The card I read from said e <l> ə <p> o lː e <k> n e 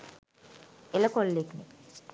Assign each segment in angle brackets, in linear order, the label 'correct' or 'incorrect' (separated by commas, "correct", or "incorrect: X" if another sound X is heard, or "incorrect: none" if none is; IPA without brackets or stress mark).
correct, incorrect: k, correct